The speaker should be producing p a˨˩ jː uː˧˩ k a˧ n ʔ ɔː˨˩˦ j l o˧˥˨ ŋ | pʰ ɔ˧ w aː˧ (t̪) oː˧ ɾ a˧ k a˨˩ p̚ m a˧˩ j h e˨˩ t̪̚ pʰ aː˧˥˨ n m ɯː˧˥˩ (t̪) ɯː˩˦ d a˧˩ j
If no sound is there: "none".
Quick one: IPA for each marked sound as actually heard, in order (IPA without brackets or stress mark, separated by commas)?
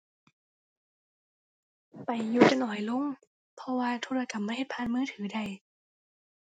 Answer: t̪ʰ, t̪ʰ